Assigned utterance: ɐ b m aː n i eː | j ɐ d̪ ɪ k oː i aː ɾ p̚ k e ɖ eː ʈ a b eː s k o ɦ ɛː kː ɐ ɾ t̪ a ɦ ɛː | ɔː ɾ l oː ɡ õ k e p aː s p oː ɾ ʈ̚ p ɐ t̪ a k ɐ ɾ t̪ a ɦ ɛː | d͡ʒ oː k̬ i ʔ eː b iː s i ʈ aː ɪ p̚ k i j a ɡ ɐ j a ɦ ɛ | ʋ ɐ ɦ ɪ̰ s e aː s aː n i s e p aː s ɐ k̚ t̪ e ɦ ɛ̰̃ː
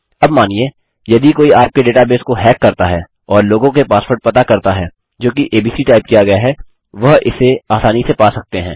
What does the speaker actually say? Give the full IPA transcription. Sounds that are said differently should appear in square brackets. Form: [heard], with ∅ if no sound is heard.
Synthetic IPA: ɐ b m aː n i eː | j ɐ d̪ [i] k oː i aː ɾ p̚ k e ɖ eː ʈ a b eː s k o ɦ ɛː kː ɐ ɾ t̪ a ɦ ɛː | ɔː ɾ l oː ɡ õ k e p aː s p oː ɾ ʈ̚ p ɐ t̪ a k ɐ ɾ t̪ a ɦ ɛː | d͡ʒ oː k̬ i ʔ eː b iː s i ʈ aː ɪ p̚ k i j a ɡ ɐ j a ɦ ɛ | ʋ ɐ ɦ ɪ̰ s e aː s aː n i s e p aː s ɐ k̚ t̪ e ɦ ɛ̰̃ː